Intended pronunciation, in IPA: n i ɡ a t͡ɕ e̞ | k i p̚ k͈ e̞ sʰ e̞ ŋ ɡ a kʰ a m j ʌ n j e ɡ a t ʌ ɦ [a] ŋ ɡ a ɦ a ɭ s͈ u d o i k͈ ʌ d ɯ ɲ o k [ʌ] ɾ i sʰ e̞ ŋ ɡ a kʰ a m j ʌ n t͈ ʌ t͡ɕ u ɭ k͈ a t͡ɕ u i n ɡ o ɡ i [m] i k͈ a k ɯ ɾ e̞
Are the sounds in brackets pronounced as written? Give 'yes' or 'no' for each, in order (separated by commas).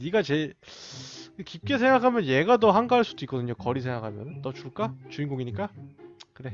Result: yes, yes, no